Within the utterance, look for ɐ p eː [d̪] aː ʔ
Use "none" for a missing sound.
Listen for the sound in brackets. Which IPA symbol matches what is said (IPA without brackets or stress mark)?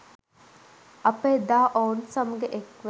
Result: d̪